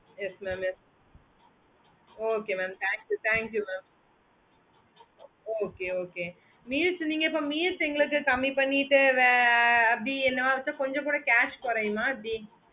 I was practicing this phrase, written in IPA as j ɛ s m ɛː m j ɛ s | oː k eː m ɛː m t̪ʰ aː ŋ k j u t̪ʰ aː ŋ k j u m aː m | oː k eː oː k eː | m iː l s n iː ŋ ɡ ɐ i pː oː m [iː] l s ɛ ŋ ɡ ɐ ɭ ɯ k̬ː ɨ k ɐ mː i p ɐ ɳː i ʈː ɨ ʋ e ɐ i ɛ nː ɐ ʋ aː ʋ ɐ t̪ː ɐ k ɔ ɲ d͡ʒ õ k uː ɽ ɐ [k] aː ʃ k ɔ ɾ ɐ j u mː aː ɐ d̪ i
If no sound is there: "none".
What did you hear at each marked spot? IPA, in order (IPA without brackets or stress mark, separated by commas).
iː, k